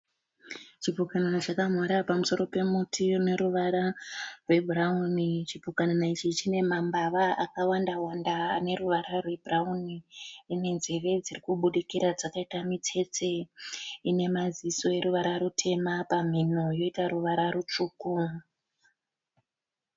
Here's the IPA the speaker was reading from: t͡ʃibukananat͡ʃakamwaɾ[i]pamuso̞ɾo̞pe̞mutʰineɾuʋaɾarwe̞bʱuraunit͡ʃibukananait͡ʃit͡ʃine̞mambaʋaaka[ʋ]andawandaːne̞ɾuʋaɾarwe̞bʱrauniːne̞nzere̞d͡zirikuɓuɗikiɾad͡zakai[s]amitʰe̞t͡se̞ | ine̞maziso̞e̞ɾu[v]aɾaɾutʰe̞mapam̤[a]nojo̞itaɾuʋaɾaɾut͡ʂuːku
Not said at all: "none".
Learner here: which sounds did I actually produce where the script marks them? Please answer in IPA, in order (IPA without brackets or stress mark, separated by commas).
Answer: a, w, t, ʋ, i